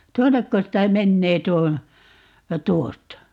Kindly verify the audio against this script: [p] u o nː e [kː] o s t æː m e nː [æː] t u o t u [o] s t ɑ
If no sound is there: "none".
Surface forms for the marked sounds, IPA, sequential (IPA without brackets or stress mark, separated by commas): t, kː, eː, o